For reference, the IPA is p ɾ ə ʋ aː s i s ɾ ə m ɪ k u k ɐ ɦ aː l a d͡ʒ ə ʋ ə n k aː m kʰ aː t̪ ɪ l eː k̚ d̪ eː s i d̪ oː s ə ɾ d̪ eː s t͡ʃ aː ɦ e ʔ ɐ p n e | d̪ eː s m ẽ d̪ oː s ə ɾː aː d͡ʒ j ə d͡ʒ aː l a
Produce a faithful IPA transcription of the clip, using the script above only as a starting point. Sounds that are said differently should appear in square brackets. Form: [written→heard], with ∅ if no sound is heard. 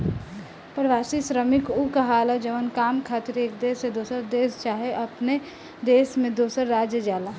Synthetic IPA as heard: p ɾ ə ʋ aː s i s ɾ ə m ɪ k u k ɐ ɦ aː l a d͡ʒ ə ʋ ə n k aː m kʰ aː t̪ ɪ [l→ɾ] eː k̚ d̪ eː s [i→e] d̪ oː s ə ɾ d̪ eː s t͡ʃ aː ɦ e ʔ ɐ p n e | d̪ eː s m ẽ d̪ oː s ə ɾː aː d͡ʒ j ə d͡ʒ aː l a